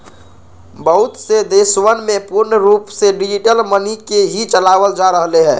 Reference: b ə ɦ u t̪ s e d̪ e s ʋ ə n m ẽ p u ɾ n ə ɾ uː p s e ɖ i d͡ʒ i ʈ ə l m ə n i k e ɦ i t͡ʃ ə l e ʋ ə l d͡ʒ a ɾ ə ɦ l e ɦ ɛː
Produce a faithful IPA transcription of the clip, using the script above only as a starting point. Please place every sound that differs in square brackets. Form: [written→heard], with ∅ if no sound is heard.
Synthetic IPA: b ə ɦ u t̪ s e d̪ e s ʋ ə n m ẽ p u ɾ n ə ɾ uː p s e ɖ i d͡ʒ i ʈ ə l m ə n i k e ɦ i t͡ʃ ə l [e→a] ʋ ə l d͡ʒ a ɾ ə ɦ l e ɦ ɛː